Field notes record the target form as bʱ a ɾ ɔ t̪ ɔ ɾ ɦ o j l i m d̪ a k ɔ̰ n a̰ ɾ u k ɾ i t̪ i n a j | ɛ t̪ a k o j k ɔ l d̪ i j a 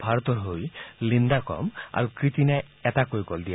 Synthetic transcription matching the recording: bʱ a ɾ ɔ t̪ ɔ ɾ ɦ o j l i n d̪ a k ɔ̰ m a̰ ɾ u k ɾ i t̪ i n a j | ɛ t̪ a k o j k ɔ l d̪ i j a

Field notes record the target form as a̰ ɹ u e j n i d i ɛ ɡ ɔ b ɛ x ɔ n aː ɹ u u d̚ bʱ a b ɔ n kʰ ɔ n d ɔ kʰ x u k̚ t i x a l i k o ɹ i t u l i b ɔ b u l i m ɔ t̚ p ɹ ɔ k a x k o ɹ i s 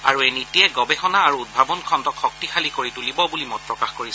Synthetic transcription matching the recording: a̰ ɹ u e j n i t i ɛ ɡ ɔ b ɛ x ɔ n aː ɹ u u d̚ bʱ a b ɔ n kʰ ɔ n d ɔ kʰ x ɔ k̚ t i x a l i k o ɹ i t u l i b ɔ b u l i m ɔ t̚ p ɹ ɔ k a x k o ɹ i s

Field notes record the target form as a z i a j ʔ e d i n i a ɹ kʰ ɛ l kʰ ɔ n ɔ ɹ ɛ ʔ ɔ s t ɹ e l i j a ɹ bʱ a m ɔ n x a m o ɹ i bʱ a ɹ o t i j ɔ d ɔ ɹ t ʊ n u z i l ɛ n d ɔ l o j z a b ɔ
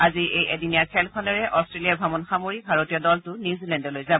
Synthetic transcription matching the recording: a z i e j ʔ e d i n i a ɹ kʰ ɛ l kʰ ɔ n ɔ ɹ ɛ ʔ ɔ s t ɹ e l i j a ɹ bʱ a m ɔ n x a m o ɹ i bʱ a ɹ o t i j ɔ d ɔ l t ʊ n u z i l ɛ n d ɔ l o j z a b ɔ

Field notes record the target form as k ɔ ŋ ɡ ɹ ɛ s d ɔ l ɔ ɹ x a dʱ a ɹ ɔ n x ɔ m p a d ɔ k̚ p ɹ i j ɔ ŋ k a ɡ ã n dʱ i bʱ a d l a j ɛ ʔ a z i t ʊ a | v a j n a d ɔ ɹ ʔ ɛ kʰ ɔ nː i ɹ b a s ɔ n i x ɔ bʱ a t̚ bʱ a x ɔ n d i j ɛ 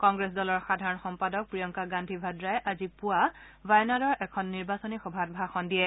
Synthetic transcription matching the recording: k ɔ ŋ ɡ ɹ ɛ s d ɔ l ɔ ɹ x a dʱ a ɹ ɔ n x ɔ m p a d ɔ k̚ p ɹ i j ɔ ŋ k a ɡ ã n dʱ i bʱ a d ɹ a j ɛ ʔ a z i p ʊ a | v a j n a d ɔ ɹ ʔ ɛ kʰ ɔ nː i ɹ b a s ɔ n i x ɔ bʱ a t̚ bʱ a x ɔ n d i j ɛ

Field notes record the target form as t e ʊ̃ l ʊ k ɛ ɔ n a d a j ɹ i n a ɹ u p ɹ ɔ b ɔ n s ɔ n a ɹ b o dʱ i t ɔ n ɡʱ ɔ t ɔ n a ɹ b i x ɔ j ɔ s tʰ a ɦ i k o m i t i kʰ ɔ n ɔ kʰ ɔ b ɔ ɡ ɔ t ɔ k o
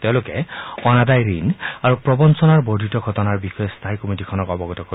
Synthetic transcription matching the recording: t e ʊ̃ l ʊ k ɛ ɔ n a d a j ɹ i n a ɹ u p ɹ ɔ b ɔ n s ɔ n a ɹ b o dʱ i t ɔ ɡʱ ɔ t ɔ n a ɹ b i x ɔ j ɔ s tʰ a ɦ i k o m i t i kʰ ɔ n ɔ k ɔ b ɔ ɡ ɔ t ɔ k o

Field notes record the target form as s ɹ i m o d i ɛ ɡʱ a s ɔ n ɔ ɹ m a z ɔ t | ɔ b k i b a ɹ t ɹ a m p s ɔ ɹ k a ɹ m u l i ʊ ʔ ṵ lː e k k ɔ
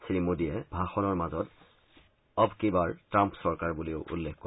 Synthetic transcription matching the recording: s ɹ i m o d i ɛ bʱ a x ɔ n ɔ ɹ m a z ɔ t | ɔ b k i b a ɹ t ɹ a m p s ɔ ɹ k a ɹ b u l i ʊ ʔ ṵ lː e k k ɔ

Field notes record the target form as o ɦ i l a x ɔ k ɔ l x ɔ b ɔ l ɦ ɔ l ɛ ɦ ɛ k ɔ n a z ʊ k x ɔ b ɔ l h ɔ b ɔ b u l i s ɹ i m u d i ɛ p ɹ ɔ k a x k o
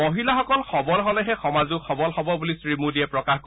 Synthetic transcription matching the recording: o ɦ i l a x ɔ k ɔ l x ɔ b ɔ l ɦ ɔ l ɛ ɦ ɛ x ɔ m a z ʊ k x ɔ b ɔ l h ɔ b ɔ b u l i s ɹ i m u d i ɛ p ɹ ɔ k a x k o

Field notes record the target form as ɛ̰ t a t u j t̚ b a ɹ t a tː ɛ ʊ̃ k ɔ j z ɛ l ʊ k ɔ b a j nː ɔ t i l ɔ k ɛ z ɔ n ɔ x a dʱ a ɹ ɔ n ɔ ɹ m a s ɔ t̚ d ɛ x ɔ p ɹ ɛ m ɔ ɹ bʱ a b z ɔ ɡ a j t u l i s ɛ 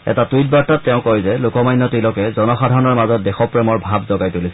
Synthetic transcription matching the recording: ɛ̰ t a t u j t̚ b a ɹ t a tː ɛ ʊ̃ k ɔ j z ɛ l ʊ k ɔ m a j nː ɔ t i l ɔ k ɛ z ɔ n ɔ x a dʱ a ɹ ɔ n ɔ ɹ m a z ɔ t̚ d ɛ x ɔ p ɹ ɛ m ɔ ɹ bʱ a b z ɔ ɡ a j t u l i s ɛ

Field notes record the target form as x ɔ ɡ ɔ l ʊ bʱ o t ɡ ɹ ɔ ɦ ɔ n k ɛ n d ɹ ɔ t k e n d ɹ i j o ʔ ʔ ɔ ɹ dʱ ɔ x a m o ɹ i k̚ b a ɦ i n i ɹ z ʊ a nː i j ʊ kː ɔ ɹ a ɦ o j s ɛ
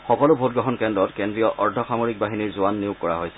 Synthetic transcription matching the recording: x ɔ k ɔ l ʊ bʱ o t ɡ ɹ ɔ ɦ ɔ n k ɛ n d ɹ ɔ t k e n d ɹ i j ɔ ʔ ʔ ɔ ɹ dʱ ɔ x a m o ɹ i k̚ b a ɦ i n i ɹ z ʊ a nː i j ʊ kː ɔ ɹ a ɦ o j s ɛ

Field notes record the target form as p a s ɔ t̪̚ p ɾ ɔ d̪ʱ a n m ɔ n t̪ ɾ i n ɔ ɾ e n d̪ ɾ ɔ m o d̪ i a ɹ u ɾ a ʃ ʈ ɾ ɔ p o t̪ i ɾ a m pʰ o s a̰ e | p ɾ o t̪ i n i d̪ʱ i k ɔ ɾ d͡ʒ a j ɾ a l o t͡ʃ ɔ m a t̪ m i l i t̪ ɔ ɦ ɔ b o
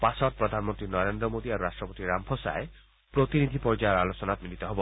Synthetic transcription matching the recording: p a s ɔ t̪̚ p ɾ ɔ d̪ʱ a n m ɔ n t̪ ɾ i n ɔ ɾ e n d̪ ɾ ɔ m o d̪ i a ɾ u ɾ a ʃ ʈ ɾ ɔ p o t̪ i ɾ a m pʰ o s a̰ e | p ɾ o t̪ i n i d̪ʱ i p ɔ ɾ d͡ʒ a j ɾ a l o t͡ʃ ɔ n a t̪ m i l i t̪ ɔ ɦ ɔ b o

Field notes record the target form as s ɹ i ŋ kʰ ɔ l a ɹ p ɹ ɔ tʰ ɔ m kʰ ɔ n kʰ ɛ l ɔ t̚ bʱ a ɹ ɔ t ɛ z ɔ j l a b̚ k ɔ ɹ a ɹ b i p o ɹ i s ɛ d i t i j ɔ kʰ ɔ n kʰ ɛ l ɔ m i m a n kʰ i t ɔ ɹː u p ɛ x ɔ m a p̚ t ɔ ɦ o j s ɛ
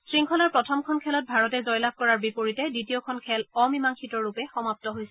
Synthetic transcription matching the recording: s ɹ i ŋ kʰ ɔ l a ɹ p ɹ ɔ tʰ ɔ m kʰ ɔ n kʰ ɛ l ɔ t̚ bʱ a ɹ ɔ t ɛ z ɔ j l a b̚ k ɔ ɹ a ɹ b i p o ɹ i t ɛ d i t i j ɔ kʰ ɔ n kʰ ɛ l ɔ m i m a ŋ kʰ i t ɔ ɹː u p ɛ x ɔ m a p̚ t ɔ ɦ o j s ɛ

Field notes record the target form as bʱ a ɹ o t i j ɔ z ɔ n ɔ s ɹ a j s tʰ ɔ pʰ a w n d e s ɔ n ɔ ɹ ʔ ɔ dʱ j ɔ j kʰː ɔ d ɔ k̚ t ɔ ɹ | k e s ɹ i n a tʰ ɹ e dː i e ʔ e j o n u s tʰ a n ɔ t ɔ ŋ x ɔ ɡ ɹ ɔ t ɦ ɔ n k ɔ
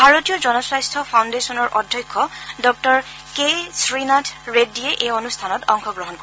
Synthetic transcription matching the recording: bʱ a ɹ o t i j ɔ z ɔ n ɔ s ɹ a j s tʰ ɔ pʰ a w n d e s ɔ n ɔ ɹ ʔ ɔ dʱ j ɔ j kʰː ɔ d ɔ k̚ t ɔ ɹ | k e s ɹ i n a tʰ ɹ e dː i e ʔ e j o n u s tʰ a n ɔ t ɔ ŋ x ɔ ɡ ɹ ɔ ɦ ɔ n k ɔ

